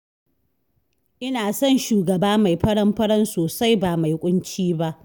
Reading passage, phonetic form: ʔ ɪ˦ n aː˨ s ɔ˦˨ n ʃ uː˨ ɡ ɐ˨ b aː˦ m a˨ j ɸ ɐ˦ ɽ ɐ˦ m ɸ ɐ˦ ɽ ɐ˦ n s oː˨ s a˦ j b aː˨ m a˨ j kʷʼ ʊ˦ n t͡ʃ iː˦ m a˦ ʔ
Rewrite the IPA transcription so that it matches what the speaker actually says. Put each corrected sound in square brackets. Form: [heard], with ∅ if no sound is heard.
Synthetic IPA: ʔ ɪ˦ n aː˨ s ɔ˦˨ n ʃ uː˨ ɡ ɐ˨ b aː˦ m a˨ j ɸ ɐ˦ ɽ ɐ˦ m ɸ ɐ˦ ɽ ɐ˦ n s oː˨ s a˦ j b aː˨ m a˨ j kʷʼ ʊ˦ n t͡ʃ iː˦ [b] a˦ ʔ